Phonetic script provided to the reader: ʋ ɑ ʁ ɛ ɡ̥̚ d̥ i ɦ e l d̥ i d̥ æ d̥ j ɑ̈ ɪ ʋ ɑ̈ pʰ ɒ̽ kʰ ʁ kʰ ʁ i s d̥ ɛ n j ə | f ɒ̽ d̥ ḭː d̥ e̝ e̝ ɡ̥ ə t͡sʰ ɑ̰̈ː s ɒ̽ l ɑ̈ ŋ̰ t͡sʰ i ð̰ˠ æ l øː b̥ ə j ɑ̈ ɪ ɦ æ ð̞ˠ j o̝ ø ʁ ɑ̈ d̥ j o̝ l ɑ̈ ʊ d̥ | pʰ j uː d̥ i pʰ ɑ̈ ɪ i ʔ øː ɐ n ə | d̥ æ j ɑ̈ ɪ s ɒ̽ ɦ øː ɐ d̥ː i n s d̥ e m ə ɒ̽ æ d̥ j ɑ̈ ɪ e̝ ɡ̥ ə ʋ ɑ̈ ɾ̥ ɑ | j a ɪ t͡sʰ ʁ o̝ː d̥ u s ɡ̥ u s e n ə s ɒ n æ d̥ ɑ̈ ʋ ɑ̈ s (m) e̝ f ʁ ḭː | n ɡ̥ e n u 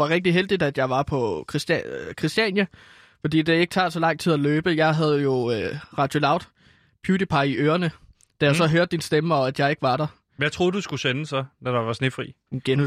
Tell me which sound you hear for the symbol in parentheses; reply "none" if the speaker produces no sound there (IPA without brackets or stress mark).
n